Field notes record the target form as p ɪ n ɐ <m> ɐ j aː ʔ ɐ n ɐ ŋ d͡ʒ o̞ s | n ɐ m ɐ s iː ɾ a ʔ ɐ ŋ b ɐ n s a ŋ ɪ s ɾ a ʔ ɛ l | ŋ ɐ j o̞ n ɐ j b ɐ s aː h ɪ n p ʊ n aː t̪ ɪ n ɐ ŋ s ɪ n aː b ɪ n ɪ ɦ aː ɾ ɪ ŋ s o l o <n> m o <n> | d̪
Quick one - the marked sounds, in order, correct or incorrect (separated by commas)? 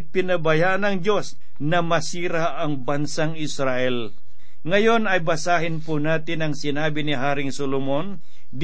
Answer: incorrect, incorrect, correct